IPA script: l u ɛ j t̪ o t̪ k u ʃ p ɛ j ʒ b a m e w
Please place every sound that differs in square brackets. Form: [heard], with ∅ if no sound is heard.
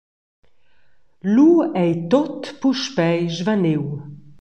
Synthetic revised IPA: l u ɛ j t̪ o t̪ [p] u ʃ p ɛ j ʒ [v] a [n] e w

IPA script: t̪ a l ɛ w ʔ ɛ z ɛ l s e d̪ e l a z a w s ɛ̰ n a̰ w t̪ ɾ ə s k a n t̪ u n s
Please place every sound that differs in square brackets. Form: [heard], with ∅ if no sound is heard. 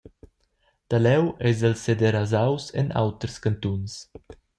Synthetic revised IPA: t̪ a l ɛ w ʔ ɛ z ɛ l s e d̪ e [ɾ] a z a w s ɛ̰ n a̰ w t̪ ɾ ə s k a n t̪ u n s

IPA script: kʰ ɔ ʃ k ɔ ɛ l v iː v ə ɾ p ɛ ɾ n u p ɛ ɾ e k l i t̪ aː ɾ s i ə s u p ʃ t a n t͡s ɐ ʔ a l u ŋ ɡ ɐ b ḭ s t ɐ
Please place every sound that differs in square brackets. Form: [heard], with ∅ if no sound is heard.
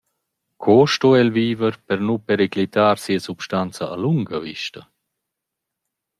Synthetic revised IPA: kʰ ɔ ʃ [t] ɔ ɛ l v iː v ə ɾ p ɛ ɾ n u p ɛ ɾ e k l i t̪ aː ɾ s i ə s u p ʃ t a n t͡s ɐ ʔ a l u ŋ ɡ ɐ [v] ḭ [ʃ] t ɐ

